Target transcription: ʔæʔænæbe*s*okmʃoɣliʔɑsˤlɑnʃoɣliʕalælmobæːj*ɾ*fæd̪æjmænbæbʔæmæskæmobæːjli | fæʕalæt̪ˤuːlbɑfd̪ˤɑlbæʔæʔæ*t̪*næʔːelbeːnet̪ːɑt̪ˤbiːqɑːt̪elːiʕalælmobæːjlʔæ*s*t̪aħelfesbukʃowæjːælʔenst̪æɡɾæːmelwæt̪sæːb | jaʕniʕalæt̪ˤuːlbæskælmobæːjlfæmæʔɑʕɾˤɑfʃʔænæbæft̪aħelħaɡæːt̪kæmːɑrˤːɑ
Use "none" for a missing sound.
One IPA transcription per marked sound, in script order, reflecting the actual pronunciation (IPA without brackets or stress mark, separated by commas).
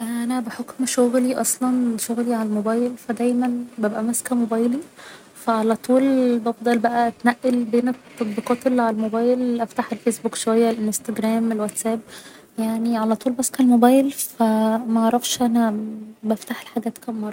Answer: ħ, l, t̪, f